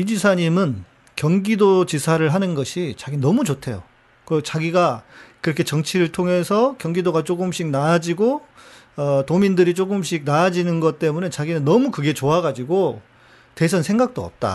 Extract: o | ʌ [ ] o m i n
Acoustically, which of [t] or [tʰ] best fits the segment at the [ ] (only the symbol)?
t